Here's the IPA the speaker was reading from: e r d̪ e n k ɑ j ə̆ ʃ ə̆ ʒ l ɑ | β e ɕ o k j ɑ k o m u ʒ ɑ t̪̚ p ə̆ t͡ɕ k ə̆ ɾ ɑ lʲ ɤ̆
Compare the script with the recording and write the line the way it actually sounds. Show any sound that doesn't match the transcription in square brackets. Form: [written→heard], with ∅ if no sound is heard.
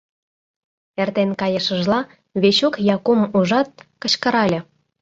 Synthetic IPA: e r [d̪→t̪] e n k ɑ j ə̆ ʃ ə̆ ʒ l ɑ | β e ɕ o k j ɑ k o m u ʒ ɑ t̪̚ [p→k] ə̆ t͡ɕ k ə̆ ɾ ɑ lʲ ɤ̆